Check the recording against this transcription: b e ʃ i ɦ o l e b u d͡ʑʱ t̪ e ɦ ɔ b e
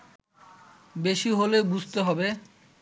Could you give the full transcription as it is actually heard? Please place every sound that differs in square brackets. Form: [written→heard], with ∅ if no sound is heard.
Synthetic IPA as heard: b e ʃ i ɦ o l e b u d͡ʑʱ t̪ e ɦ ɔ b e